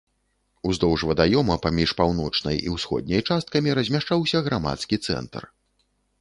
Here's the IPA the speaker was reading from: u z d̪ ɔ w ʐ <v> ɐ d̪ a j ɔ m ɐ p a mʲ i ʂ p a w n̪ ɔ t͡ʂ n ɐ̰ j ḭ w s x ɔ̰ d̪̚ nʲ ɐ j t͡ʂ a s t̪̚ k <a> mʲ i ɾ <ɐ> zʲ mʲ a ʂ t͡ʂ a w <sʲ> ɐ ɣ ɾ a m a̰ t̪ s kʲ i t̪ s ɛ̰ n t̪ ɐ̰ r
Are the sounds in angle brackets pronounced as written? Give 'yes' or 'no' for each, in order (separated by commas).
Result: yes, no, yes, yes